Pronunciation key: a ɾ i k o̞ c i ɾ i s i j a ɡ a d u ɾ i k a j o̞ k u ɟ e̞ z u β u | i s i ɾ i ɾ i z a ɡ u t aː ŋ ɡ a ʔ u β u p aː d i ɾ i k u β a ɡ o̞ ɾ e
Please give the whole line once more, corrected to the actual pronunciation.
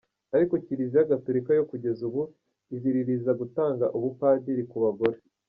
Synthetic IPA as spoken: a ɾ i k o̞ c i ɾ i z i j a ɡ a t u ɾ i k a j o̞ k u ɟ e̞ z u β u | i z i ɾ i ɾ i z a ɡ u t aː ŋ ɡ a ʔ u β u p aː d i ɾ i k u β a ɡ o̞ ɾ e